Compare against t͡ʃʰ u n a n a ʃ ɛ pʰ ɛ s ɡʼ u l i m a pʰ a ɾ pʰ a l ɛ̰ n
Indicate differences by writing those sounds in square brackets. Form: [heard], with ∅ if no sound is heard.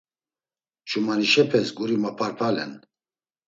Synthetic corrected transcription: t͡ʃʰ u [m] a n [i] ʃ ɛ pʰ ɛ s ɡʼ u [ɾ] i m a pʰ a ɾ pʰ a l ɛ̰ n

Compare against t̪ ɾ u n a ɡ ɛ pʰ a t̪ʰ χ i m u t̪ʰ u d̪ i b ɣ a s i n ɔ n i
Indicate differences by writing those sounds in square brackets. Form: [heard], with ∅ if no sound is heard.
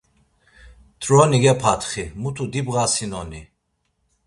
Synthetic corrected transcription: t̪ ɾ [ɔ] n [i] ɡ ɛ pʰ a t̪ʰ χ i m u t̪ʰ u d̪ i b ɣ a s i n ɔ n i

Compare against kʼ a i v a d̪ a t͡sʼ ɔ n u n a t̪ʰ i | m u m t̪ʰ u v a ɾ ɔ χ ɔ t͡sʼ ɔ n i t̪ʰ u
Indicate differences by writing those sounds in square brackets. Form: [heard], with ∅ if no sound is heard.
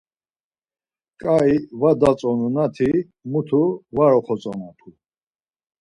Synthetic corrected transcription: kʼ a i v a d̪ a t͡sʼ ɔ n u n a t̪ʰ i | m u [∅] t̪ʰ u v a ɾ ɔ χ ɔ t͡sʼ ɔ n [a] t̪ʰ u

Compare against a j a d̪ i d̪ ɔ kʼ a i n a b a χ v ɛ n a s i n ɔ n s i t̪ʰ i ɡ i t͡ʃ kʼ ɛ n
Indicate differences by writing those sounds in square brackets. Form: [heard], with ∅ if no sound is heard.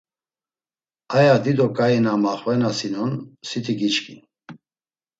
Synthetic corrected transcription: a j a d̪ i d̪ ɔ kʼ a i n a [m] a χ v ɛ n a s i n ɔ n s i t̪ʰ i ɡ i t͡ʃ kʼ [i] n

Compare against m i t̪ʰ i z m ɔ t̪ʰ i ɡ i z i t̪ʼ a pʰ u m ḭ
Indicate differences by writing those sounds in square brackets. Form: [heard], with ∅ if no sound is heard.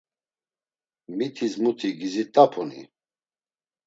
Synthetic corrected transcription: m i t̪ʰ i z m [u] t̪ʰ i ɡ i z i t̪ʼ a pʰ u [n] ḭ

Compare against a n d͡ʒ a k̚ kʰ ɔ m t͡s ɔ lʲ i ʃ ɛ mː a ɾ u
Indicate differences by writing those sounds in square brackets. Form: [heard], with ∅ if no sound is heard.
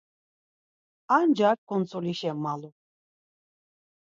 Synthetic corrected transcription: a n d͡ʒ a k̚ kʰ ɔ [n] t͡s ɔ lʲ i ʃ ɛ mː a [l] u

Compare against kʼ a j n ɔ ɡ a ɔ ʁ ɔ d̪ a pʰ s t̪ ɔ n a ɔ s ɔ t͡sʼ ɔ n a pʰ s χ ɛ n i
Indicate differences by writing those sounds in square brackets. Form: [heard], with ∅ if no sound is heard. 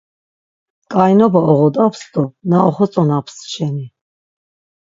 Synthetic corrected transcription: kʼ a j n ɔ [b] a ɔ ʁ ɔ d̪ a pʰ s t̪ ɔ n a ɔ [χ] ɔ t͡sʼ ɔ n a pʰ s [ʃ] ɛ n i

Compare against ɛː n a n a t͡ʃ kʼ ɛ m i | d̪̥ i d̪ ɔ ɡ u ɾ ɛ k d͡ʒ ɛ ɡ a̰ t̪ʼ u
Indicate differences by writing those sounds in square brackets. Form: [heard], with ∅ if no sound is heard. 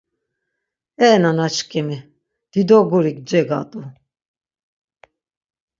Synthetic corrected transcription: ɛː n a n a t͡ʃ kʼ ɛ m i | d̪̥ i d̪ ɔ ɡ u ɾ [i] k d͡ʒ ɛ ɡ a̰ t̪ʼ u

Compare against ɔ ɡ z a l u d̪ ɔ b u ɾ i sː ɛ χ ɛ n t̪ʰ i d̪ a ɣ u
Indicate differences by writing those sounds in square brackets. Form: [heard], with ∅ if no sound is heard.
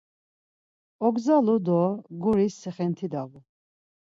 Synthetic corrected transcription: ɔ ɡ z a l u d̪ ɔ [ɡ] u ɾ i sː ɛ χ ɛ n t̪ʰ i d̪ a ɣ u

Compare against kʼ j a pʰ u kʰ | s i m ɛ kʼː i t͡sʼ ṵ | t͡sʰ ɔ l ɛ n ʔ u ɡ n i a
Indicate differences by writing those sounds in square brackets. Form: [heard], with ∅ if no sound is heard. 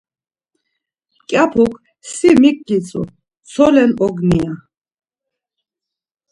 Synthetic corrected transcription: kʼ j a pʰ u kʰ | s i m [i] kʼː i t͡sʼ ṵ | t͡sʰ ɔ l ɛ n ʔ [ɔ] ɡ n i a

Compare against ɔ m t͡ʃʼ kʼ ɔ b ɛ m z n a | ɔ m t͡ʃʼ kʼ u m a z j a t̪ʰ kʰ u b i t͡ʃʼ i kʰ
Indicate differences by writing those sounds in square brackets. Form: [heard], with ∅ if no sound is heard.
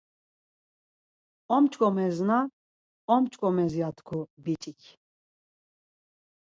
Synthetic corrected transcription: ɔ m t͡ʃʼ kʼ ɔ [m] ɛ [∅] z n a | ɔ m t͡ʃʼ kʼ [ɔ] m [ɛ] z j a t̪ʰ kʰ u b i t͡ʃʼ i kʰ

